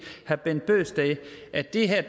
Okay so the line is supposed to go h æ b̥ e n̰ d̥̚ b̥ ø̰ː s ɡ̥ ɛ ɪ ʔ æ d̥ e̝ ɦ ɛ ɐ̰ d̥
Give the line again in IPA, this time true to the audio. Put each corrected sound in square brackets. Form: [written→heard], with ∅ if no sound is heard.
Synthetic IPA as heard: h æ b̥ e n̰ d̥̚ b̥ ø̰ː s [ɡ̥→d̥] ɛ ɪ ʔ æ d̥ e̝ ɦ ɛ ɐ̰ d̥